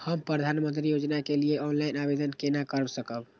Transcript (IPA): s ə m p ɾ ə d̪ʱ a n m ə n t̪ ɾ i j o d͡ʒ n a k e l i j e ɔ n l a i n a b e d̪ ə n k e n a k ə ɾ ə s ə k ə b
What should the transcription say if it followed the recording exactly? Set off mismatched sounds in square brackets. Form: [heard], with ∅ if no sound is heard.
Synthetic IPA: [h] ə m p ɾ ə d̪ʱ a n m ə n t̪ ɾ i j o d͡ʒ n a k e l i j e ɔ n l a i n a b e d̪ ə n k e n a k ə ɾ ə s ə k ə b

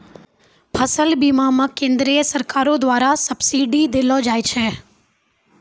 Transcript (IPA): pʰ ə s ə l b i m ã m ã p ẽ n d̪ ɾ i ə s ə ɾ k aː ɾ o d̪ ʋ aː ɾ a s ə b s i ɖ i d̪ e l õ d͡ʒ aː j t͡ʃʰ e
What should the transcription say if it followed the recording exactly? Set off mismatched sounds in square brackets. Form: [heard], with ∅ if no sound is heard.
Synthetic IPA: pʰ ə s ə l b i m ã m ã [k] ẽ n d̪ ɾ i ə s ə ɾ k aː ɾ o d̪ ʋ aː ɾ a s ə b s i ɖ i d̪ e l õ d͡ʒ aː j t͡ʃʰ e

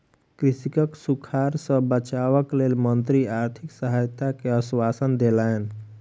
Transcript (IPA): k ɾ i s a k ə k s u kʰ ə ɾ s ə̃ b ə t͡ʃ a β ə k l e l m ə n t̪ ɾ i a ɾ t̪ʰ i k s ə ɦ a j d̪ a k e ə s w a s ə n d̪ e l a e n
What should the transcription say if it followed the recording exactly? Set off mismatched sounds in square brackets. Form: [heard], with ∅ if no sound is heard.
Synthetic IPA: k ɾ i s [i] k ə k s u kʰ [a] ɾ s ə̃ b ə t͡ʃ a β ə k l e l m ə n t̪ ɾ i a ɾ t̪ʰ i k s ə ɦ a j [t̪] a k e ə s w a s ə n d̪ e l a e n

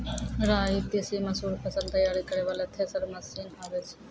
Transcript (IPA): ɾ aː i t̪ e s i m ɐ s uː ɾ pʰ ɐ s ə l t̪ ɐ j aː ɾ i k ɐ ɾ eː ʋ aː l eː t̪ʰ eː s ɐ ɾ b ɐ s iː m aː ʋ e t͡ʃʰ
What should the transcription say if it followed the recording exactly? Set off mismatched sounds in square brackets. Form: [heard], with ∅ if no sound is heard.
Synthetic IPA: ɾ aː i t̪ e s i m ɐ s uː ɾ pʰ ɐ s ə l t̪ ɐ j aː ɾ i k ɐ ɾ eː ʋ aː l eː t̪ʰ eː s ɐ ɾ [m] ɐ s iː [n] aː ʋ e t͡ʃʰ

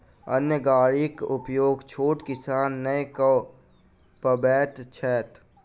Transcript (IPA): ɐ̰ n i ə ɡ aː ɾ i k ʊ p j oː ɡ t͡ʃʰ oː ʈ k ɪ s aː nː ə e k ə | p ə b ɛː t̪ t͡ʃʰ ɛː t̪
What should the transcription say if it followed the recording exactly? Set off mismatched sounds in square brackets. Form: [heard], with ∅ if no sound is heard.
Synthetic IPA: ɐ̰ n [j] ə ɡ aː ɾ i k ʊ p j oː ɡ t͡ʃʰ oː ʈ k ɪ s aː nː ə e k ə | p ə b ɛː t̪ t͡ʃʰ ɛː t̪

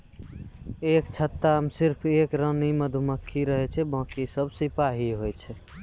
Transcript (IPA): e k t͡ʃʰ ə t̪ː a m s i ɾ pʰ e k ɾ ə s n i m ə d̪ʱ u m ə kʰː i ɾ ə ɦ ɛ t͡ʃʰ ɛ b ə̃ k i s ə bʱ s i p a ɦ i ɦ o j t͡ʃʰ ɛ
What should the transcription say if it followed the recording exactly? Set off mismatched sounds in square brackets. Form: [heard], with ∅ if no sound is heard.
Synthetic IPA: e k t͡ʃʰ ə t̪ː a m s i ɾ pʰ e k ɾ ə [∅] n i m ə d̪ʱ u m ə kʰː i ɾ ə ɦ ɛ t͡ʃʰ ɛ b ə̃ k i s ə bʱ s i p a ɦ i ɦ o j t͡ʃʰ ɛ

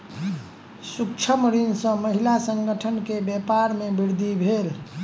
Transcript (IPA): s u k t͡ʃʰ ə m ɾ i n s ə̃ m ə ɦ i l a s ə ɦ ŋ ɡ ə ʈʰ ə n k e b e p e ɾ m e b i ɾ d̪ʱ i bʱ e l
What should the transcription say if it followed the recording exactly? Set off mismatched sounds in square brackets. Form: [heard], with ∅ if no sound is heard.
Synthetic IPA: s u k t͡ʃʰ ə m ɾ i n s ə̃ m ə ɦ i l a s ə [∅] ŋ ɡ ə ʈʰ ə n k e b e p [a] ɾ m e b i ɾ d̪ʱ i bʱ e l

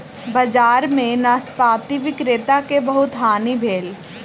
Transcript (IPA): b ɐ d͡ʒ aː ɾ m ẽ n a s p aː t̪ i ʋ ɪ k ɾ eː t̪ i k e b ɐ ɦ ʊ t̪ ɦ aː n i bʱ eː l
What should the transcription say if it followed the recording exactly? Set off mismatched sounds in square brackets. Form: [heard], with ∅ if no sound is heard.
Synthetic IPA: b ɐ d͡ʒ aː ɾ m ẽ n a s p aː t̪ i ʋ ɪ k ɾ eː t̪ [a] k e b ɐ ɦ ʊ t̪ ɦ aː n i bʱ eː l

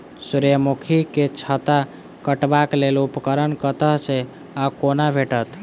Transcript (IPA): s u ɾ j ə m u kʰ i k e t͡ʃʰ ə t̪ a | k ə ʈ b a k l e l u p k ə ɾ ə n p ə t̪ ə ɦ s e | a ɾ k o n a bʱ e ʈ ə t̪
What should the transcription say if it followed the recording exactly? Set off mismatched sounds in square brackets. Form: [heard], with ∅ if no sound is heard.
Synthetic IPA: s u ɾ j ə m u kʰ i k e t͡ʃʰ ə t̪ a | k ə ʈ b a k l e l u p k ə ɾ ə n [k] ə t̪ ə ɦ s e | a [∅] k o n a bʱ e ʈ ə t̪

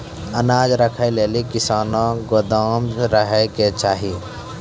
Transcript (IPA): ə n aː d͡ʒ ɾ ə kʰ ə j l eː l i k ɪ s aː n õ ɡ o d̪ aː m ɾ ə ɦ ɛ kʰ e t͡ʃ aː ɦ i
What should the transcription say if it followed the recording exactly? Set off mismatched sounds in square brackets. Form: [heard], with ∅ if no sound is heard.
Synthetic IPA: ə n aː d͡ʒ ɾ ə kʰ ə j l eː l i k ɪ s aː n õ ɡ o d̪ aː m ɾ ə ɦ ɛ [k] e t͡ʃ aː ɦ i

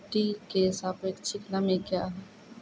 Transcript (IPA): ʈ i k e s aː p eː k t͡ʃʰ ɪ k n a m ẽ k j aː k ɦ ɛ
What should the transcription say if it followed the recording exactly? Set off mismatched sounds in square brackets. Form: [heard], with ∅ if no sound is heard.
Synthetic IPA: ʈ i k e s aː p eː k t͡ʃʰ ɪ k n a m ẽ k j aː [∅] ɦ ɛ

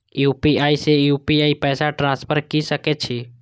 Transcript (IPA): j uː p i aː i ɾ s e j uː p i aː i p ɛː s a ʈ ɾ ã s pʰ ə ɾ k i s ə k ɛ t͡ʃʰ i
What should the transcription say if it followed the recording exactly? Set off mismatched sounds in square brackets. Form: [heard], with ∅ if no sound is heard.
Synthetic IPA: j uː p i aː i [∅] s e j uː p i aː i p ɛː s a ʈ ɾ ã s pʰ ə ɾ k i s ə k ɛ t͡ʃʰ i

